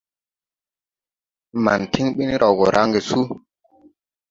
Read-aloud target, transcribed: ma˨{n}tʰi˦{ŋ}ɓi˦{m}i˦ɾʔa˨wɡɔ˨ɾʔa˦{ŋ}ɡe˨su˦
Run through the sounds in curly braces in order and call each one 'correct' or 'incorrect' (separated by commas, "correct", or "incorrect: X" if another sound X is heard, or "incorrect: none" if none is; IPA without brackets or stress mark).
correct, correct, incorrect: n, correct